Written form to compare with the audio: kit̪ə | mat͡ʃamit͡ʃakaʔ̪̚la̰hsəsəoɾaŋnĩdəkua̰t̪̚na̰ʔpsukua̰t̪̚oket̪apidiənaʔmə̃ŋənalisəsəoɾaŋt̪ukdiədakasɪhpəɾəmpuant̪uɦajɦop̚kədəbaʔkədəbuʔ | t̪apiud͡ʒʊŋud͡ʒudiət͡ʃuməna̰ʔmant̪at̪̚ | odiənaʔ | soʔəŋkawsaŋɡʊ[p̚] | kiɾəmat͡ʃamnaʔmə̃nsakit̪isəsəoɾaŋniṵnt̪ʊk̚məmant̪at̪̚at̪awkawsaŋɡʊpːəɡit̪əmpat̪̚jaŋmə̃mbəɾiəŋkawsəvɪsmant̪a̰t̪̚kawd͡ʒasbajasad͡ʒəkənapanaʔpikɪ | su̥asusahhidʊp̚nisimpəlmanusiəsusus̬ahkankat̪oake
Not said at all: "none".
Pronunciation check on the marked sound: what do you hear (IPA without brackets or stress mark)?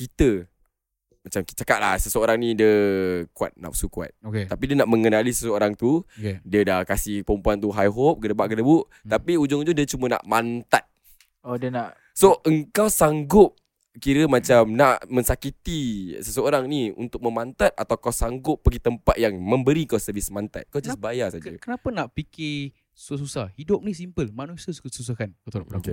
p̚